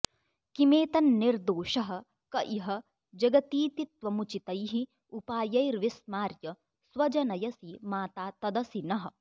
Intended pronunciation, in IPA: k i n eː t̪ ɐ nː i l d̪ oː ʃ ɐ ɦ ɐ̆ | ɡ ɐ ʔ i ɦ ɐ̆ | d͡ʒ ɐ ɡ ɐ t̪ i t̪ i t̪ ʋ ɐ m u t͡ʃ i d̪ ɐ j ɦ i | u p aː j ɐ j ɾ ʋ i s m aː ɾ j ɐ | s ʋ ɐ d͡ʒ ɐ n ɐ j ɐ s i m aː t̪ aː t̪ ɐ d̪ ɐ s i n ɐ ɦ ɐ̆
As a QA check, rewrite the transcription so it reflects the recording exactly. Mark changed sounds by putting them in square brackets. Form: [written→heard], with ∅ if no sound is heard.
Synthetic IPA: k i [n→m] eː t̪ ɐ nː i [l→ɾ] d̪ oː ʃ ɐ ɦ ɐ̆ | [ɡ→k] ɐ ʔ i ɦ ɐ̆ | d͡ʒ ɐ ɡ ɐ t̪ [i→iː] t̪ i t̪ ʋ ɐ m u t͡ʃ i [d̪→t̪] ɐ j ɦ i | u p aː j ɐ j ɾ ʋ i s m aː ɾ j ɐ | s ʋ ɐ d͡ʒ ɐ n ɐ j ɐ s i m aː t̪ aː t̪ ɐ d̪ ɐ s i n ɐ ɦ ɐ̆